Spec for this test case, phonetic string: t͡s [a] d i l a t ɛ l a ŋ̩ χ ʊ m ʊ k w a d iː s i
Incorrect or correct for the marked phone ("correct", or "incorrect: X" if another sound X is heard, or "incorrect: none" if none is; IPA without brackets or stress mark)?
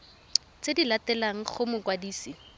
incorrect: e